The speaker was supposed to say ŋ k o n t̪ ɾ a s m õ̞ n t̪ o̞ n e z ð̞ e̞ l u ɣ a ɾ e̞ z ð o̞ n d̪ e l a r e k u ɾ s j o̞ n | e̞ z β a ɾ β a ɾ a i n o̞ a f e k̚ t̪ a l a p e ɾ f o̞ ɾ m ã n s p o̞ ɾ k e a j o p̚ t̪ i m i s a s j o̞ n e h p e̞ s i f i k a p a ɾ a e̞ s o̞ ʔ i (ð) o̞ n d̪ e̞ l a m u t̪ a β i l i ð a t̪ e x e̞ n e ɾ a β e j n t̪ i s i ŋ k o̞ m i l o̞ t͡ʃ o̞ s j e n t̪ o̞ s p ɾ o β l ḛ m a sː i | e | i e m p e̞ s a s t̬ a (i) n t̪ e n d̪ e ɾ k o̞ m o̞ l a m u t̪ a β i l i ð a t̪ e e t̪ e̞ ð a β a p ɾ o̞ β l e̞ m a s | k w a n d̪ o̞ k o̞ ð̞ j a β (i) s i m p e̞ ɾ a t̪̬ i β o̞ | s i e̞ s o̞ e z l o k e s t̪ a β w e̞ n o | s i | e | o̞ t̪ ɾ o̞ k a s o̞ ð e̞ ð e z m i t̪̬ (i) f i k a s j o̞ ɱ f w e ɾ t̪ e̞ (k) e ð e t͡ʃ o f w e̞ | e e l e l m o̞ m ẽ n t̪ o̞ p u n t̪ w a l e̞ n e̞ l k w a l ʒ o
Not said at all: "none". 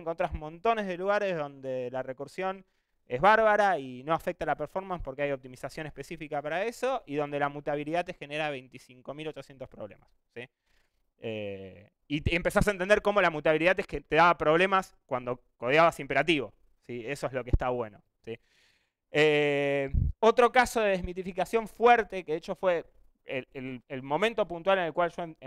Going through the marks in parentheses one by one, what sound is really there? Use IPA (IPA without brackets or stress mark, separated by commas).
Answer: ð, e, a, i, k